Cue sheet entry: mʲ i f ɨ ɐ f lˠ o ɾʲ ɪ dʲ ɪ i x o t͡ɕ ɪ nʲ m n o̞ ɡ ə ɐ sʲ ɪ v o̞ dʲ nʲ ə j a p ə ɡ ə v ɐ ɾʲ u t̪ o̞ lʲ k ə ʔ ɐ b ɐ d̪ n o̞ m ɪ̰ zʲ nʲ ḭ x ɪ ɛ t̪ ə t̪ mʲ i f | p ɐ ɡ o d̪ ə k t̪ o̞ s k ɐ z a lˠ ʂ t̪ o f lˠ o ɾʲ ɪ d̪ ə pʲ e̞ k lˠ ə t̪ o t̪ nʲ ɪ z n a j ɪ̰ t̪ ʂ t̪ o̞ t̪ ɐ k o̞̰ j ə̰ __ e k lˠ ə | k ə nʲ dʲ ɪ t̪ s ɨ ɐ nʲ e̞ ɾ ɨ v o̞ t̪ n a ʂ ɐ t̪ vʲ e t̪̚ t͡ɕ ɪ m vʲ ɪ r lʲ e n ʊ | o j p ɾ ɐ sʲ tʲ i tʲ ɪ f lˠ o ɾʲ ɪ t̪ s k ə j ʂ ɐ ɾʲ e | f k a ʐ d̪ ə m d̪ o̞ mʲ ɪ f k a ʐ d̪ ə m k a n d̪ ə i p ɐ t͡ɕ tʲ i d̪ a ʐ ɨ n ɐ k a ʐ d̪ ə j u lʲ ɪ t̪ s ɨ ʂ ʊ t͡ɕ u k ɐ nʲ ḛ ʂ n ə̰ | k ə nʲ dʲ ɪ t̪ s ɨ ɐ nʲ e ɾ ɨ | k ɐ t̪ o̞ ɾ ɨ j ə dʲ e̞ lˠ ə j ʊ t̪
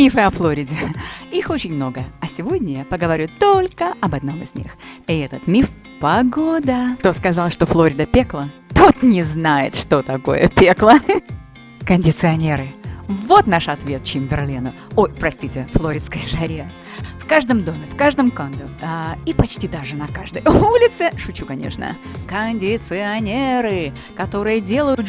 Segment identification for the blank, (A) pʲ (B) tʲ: A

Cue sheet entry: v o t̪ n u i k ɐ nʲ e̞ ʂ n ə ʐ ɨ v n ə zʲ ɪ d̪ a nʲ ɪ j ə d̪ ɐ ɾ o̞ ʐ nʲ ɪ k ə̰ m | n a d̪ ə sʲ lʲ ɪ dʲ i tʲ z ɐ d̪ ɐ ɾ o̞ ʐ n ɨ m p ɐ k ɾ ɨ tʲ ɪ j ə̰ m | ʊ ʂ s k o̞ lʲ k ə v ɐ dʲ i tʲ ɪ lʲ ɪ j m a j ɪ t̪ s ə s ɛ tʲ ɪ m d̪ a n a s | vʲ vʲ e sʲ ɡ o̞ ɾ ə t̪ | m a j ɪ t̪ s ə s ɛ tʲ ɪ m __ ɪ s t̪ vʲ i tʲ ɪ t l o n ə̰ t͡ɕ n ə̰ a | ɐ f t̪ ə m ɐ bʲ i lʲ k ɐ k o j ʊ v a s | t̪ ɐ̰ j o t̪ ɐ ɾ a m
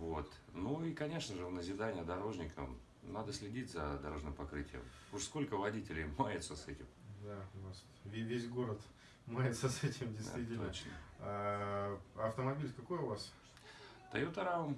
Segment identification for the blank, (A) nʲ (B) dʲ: B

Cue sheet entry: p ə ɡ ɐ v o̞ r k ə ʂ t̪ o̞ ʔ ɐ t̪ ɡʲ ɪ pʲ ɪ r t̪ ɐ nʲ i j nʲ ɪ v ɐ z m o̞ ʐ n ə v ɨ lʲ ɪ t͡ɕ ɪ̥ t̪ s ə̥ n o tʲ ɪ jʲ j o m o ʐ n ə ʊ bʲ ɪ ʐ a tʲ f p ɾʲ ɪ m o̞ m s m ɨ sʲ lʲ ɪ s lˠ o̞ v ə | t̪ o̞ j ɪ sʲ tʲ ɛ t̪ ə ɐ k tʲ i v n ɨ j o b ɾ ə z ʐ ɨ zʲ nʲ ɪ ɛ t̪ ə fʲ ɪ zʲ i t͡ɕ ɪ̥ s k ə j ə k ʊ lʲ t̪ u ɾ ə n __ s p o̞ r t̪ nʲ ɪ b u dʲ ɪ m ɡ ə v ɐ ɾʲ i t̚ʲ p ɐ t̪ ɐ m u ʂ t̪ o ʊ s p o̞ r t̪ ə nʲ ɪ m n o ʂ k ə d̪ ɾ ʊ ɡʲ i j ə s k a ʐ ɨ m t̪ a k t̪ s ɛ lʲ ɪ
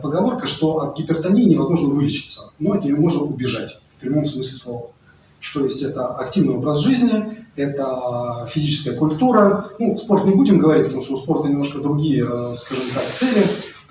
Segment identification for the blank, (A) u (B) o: A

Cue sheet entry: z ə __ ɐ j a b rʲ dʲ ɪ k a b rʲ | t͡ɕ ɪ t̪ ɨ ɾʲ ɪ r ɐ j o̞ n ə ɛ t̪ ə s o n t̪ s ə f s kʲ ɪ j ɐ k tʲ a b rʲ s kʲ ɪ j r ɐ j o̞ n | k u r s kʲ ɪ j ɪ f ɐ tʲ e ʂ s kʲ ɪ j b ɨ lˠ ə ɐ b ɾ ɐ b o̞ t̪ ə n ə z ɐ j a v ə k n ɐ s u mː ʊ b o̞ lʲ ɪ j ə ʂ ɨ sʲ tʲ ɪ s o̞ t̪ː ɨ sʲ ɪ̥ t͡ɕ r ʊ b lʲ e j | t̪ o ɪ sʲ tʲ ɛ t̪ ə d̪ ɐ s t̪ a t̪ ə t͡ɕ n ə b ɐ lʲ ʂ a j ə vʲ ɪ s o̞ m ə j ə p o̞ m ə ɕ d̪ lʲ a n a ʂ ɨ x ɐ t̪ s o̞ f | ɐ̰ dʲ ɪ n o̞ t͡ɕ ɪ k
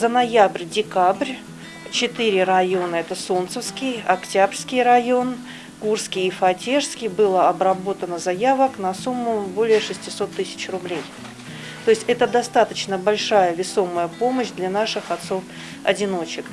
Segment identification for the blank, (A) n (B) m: A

